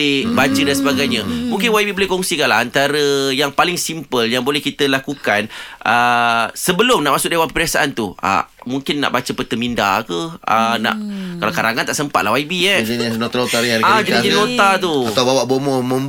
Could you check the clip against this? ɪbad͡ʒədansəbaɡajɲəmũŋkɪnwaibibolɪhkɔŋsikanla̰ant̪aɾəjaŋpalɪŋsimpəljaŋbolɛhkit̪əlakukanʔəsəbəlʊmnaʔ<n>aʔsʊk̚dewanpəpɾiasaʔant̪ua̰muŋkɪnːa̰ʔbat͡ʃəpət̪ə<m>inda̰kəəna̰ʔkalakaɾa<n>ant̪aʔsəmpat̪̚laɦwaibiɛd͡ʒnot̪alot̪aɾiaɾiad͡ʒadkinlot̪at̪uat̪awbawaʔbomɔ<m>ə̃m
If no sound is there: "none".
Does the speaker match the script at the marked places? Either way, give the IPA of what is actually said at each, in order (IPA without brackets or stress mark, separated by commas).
m, m, ŋ, m